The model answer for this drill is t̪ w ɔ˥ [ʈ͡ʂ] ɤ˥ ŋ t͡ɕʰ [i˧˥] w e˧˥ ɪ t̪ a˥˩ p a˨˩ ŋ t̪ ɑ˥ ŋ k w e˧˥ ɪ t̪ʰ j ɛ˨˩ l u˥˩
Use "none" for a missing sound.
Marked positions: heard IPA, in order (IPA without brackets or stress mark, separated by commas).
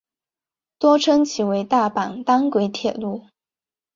ʈ͡ʂʰ, i˨˩